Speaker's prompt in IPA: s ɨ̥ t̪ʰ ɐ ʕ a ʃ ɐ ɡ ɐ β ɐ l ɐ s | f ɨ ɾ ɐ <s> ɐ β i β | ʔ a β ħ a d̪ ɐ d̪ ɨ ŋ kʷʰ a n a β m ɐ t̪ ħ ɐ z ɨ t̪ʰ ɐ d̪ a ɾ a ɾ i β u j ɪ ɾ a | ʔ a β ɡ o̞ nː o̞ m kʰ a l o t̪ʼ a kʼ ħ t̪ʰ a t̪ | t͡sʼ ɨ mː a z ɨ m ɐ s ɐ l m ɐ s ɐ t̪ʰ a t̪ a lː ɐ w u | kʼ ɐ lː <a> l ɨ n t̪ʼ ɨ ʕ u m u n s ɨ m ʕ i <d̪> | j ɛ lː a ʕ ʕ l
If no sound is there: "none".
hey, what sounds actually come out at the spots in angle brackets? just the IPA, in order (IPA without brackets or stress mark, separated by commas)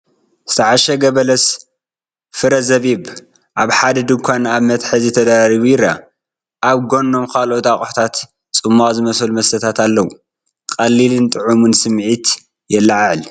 z, i, t̪